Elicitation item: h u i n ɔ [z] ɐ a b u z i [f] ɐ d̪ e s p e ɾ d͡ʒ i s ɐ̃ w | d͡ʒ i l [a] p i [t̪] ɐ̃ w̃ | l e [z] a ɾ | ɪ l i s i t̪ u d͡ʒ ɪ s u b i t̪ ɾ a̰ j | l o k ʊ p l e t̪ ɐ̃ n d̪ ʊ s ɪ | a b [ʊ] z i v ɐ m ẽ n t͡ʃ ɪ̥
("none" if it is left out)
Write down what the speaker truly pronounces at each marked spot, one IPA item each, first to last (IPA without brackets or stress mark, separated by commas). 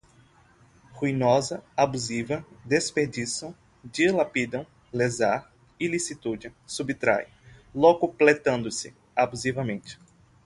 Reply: z, v, a, d̪, z, u